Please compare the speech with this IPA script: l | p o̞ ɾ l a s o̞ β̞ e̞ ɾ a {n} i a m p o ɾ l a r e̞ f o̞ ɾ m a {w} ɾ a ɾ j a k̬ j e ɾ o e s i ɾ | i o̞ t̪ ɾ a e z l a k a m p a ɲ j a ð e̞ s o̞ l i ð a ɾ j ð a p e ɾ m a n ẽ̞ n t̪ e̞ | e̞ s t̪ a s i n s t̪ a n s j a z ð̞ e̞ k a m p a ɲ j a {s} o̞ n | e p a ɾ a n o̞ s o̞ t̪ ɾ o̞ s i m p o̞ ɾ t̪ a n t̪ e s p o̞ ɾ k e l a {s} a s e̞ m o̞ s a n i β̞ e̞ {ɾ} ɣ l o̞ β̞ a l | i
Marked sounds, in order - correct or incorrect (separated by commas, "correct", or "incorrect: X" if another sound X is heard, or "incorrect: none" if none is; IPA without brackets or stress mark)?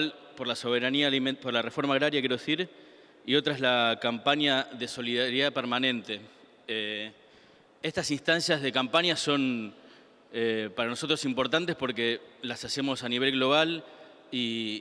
correct, incorrect: ɣ, correct, correct, incorrect: l